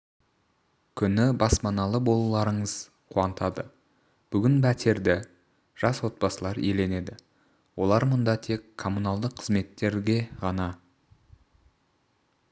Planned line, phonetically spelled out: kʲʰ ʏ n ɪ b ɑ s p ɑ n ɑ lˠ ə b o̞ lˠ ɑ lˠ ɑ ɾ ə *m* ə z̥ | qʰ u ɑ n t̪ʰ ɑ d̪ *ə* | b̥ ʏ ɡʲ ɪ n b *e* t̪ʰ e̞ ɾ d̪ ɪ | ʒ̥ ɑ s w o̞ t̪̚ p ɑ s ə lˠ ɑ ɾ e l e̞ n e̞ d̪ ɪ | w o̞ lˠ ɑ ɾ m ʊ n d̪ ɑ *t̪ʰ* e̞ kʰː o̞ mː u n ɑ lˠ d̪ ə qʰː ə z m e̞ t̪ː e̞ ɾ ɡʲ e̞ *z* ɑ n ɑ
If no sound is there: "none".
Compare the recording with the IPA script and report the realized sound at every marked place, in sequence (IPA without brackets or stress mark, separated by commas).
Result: ɴ, ə, æ, t̪ʰ, ʁ